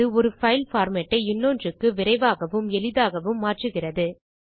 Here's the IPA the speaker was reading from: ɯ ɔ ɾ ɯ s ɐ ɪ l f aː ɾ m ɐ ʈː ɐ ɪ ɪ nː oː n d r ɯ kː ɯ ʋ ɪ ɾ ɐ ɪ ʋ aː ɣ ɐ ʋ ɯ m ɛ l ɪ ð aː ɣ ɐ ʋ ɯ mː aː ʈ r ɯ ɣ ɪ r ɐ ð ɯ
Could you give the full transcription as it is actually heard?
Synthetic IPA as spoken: ɯ ɔ ɾ ɯ f ɐ ɪ l f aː ɾ m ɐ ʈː ɐ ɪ ɪ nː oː n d r ɯ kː ɯ ʋ ɪ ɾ ɐ ɪ ʋ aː ɣ ɐ ʋ ɯ m ɛ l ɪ ð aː ɣ ɐ ʋ ɯ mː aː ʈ r ɯ ɣ ɪ r ɐ ð ɯ